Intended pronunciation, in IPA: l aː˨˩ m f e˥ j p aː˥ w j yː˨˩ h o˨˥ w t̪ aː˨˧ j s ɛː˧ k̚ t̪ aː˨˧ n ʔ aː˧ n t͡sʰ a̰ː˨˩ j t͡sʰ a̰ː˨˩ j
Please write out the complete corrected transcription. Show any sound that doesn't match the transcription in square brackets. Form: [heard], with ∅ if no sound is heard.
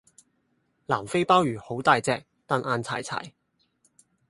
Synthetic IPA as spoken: l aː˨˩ m f e˥ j p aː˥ w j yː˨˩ h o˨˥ w t̪ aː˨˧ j [t͡s] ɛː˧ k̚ t̪ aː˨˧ n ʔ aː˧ n t͡sʰ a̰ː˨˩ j t͡sʰ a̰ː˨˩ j